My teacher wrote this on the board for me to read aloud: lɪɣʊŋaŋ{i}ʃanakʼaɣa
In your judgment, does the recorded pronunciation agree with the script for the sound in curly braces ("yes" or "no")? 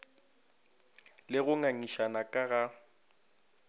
yes